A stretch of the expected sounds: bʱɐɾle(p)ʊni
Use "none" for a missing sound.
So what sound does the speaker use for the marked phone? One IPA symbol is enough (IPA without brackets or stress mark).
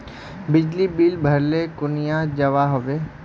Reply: k